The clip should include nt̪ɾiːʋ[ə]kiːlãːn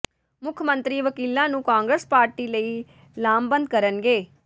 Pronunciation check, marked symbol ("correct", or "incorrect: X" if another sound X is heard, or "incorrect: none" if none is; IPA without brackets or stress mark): correct